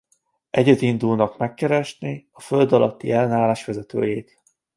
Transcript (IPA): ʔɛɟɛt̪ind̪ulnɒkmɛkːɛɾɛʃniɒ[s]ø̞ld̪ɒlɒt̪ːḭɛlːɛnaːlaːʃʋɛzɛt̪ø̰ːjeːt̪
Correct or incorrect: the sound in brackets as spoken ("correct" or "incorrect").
incorrect